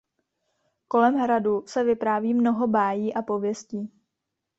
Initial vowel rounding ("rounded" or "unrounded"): rounded